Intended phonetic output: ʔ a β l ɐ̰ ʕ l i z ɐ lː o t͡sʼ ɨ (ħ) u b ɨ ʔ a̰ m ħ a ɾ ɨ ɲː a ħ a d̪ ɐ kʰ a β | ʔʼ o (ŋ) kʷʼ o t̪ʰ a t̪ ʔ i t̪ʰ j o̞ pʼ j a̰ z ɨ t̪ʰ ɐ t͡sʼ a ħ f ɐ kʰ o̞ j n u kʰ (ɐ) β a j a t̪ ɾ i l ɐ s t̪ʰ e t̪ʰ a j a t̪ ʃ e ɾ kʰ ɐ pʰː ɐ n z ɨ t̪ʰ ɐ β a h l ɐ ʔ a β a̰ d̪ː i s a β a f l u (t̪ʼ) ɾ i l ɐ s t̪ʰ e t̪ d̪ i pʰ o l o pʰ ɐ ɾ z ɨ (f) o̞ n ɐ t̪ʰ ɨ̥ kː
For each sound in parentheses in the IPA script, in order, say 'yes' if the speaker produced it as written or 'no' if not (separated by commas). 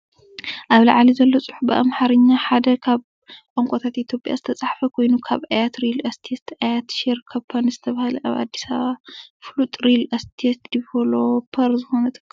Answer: yes, yes, no, yes, no